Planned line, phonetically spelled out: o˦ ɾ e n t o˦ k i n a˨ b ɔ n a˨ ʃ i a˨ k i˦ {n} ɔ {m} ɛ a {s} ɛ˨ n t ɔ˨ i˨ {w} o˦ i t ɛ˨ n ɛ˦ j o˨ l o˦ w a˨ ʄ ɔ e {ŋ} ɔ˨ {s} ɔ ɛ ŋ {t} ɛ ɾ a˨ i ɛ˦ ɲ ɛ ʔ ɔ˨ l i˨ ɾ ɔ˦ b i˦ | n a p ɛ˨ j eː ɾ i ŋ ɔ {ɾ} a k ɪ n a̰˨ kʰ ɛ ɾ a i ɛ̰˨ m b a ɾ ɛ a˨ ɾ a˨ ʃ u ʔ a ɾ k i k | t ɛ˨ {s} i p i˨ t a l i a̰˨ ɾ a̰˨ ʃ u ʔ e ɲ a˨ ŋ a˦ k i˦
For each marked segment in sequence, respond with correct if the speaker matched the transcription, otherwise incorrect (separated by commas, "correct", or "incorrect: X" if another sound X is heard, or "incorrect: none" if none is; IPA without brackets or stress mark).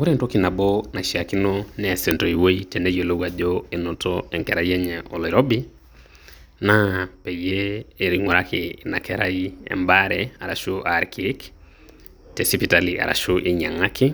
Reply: correct, incorrect: n, correct, correct, incorrect: n, incorrect: t, incorrect: k, correct, correct